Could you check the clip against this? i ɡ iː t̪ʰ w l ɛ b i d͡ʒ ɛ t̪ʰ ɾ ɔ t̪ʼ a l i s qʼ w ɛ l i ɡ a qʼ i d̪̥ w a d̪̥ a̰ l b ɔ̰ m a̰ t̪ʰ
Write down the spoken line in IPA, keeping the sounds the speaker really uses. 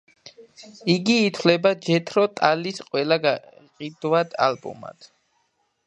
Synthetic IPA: i ɡ iː t̪ʰ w l ɛ b a d͡ʒ ɛ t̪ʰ ɾ ɔ t̪ʼ a l i s qʼ w ɛ l a ɡ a qʼ i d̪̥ w a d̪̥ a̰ l b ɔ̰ m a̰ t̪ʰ